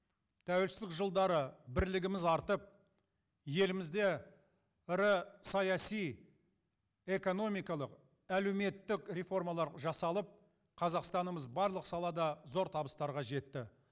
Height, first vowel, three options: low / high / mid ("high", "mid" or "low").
low